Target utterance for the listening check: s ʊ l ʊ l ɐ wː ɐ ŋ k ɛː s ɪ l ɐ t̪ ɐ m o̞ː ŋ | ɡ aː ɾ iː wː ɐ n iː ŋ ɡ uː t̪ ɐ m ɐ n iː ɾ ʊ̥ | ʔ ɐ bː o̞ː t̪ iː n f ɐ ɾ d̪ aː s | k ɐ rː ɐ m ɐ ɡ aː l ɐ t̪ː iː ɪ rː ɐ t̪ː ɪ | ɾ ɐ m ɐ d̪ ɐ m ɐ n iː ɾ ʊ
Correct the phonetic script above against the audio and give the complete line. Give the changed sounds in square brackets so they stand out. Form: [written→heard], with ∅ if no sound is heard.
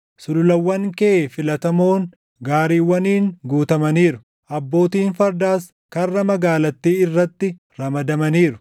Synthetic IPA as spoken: s ʊ l ʊ l ɐ wː ɐ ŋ k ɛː [s→f] ɪ l ɐ t̪ ɐ m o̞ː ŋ | ɡ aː ɾ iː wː ɐ n iː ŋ ɡ uː t̪ ɐ m ɐ n iː ɾ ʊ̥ | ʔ ɐ bː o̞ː t̪ iː n f ɐ ɾ d̪ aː s | k ɐ rː ɐ m ɐ ɡ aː l ɐ t̪ː iː ɪ rː ɐ t̪ː ɪ | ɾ ɐ m ɐ d̪ ɐ m ɐ n iː ɾ ʊ